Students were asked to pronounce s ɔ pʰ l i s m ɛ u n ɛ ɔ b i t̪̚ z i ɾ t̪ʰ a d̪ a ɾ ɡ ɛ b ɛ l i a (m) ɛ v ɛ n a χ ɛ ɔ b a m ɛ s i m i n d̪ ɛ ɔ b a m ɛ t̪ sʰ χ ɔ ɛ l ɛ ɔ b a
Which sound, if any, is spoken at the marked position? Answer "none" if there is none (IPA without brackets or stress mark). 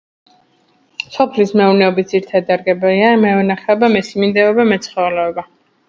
m